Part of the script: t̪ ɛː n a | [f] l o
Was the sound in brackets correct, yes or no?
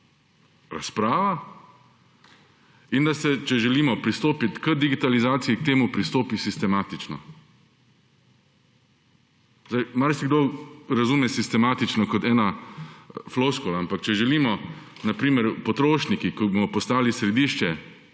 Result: yes